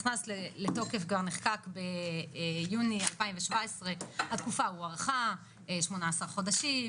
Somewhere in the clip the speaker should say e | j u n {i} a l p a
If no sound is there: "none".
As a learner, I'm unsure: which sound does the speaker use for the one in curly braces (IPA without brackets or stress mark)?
i